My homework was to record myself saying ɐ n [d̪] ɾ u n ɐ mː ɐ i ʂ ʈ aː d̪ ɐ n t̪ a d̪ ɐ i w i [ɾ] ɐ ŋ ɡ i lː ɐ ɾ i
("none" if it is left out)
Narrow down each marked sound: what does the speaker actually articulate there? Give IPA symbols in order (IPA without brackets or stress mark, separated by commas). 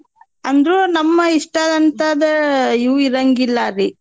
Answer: d̪, ɾ